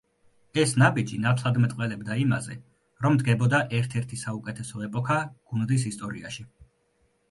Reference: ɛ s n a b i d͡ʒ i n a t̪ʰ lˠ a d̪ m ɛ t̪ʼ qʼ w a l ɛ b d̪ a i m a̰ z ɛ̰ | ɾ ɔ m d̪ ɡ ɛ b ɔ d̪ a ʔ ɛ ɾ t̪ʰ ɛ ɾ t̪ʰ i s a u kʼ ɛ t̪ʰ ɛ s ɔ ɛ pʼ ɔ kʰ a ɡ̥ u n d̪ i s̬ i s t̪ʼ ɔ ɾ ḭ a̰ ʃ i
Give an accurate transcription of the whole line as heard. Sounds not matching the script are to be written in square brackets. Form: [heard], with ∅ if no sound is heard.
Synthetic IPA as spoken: ɛ s n a b i d͡ʒ i n a t̪ʰ lˠ a d̪ m ɛ t̪ʼ qʼ w [ɛ] l ɛ b d̪ a i m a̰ z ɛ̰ | ɾ ɔ m d̪ ɡ ɛ b ɔ d̪ a ʔ ɛ ɾ t̪ʰ ɛ ɾ t̪ʰ i s a u kʼ ɛ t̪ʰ ɛ s ɔ ɛ pʼ ɔ kʰ a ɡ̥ u n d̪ i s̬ i s t̪ʼ ɔ ɾ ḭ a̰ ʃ i

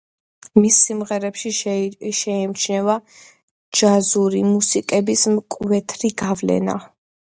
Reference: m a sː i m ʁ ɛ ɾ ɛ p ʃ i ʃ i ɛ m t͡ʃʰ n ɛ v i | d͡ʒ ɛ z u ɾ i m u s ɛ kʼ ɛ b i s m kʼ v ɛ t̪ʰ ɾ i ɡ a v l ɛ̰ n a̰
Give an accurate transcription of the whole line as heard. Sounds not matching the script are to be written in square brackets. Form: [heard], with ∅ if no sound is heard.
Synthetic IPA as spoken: m [i] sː i m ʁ ɛ ɾ ɛ p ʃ i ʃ [ɛ] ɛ m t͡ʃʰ n ɛ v [a] | d͡ʒ [a] z u ɾ i m u s [i] kʼ ɛ b i s m kʼ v ɛ t̪ʰ ɾ i ɡ a v l ɛ̰ n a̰

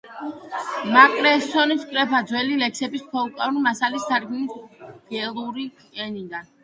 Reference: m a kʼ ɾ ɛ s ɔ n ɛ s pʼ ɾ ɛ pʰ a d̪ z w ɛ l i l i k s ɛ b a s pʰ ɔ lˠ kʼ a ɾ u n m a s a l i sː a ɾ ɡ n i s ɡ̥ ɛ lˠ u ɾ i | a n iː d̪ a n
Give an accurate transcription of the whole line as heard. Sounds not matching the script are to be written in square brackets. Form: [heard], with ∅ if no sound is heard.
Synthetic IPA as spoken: m a kʼ ɾ ɛ s ɔ n [i] s [kʼ] ɾ ɛ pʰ a d̪ z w ɛ l i l [ɛ] k s ɛ b [i] s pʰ ɔ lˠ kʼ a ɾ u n m a s a l i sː a ɾ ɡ n i s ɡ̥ ɛ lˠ u ɾ i | [ɛ] n [i] d̪ a n

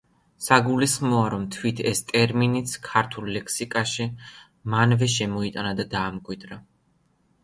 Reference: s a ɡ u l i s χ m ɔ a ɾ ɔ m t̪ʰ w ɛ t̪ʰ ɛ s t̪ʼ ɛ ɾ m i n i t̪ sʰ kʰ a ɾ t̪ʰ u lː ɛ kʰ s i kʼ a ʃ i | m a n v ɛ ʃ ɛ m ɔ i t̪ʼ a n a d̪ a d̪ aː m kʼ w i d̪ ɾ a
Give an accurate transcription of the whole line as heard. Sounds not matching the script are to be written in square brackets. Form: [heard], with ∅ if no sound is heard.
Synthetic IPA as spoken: s a ɡ u l i s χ m ɔ a ɾ ɔ m t̪ʰ w [i] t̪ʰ ɛ s t̪ʼ ɛ ɾ m i n i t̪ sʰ kʰ a ɾ t̪ʰ u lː ɛ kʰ s i kʼ a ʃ i | m a n v ɛ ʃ ɛ m ɔ i t̪ʼ a n a d̪ a d̪ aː m kʼ w i d̪ ɾ a

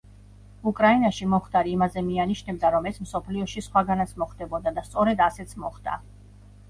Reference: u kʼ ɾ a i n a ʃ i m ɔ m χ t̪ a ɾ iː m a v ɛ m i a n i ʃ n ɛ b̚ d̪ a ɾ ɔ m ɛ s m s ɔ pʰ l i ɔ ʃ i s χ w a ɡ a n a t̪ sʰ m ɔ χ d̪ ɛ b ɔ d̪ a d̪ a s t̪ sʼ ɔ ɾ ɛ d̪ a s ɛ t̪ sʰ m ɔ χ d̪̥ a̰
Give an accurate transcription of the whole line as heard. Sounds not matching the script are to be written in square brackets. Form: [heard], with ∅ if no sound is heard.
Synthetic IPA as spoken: u kʼ ɾ a i n a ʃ i m ɔ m χ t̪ a ɾ iː m a [z] ɛ m i a n i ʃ n ɛ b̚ d̪ a ɾ ɔ m ɛ s m s ɔ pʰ l i ɔ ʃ i s χ w a ɡ a n a t̪ sʰ m ɔ χ d̪ ɛ b ɔ d̪ a d̪ a s t̪ sʼ ɔ ɾ ɛ d̪ a s ɛ t̪ sʰ m ɔ χ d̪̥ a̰

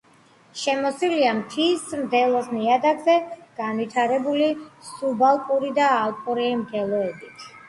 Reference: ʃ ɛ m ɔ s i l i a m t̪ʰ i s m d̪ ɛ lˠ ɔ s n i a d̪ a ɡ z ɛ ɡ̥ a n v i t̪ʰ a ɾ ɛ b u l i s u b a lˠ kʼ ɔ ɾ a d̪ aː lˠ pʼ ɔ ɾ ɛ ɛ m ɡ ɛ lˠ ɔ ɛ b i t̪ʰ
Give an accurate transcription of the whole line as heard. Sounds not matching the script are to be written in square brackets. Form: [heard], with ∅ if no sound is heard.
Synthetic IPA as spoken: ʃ ɛ m ɔ s i l i a m t̪ʰ i s m d̪ ɛ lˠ ɔ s n i a d̪ a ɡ z ɛ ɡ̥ a n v i t̪ʰ a ɾ ɛ b u l i s u b a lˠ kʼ [u] ɾ [i] d̪ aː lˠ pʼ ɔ ɾ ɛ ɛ m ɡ ɛ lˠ ɔ ɛ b i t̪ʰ

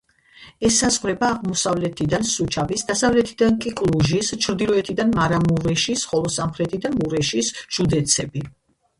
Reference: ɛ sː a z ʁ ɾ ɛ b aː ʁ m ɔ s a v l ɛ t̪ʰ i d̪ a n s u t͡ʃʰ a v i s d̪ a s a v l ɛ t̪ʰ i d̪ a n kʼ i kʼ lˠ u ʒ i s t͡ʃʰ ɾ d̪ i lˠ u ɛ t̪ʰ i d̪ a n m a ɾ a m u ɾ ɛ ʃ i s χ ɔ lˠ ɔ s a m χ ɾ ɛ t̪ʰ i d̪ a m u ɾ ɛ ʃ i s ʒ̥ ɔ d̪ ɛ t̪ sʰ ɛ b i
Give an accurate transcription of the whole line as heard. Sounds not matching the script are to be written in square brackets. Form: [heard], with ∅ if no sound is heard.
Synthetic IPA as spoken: ɛ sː a z ʁ ɾ ɛ b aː ʁ m ɔ s a v l ɛ t̪ʰ i d̪ a n s u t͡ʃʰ a v i s d̪ a s a v l ɛ t̪ʰ i d̪ a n kʼ i kʼ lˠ u ʒ i s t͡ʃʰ ɾ d̪ i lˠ [ɔ] ɛ t̪ʰ i d̪ a n m a ɾ a m u ɾ ɛ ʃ i s χ ɔ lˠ ɔ s a m χ ɾ ɛ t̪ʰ i d̪ a m u ɾ ɛ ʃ i s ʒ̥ [u] d̪ ɛ t̪ sʰ ɛ b i

